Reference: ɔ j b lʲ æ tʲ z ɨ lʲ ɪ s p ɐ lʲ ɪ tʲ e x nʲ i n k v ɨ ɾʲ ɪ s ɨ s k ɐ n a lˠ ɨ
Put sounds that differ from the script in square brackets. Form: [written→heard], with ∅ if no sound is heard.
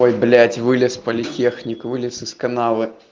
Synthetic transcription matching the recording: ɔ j b lʲ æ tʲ [z→v] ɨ lʲ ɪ s p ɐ lʲ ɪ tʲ e x nʲ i [n→∅] k v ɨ [ɾʲ→lʲ] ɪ s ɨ s k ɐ n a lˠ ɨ